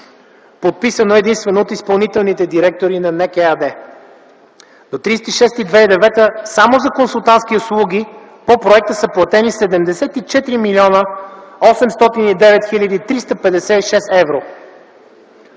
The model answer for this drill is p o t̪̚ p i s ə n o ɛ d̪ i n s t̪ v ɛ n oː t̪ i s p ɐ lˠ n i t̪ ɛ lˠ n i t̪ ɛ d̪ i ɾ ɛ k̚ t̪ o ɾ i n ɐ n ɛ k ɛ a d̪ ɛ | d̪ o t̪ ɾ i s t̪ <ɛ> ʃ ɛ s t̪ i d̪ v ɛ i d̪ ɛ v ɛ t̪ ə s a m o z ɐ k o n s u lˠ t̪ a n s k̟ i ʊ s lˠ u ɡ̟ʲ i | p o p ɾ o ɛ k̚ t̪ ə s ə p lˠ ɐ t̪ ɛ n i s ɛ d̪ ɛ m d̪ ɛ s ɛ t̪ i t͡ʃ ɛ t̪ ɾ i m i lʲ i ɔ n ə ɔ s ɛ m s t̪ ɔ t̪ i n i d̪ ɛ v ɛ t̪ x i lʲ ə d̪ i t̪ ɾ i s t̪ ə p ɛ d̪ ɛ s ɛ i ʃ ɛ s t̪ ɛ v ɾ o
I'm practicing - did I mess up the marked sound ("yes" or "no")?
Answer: yes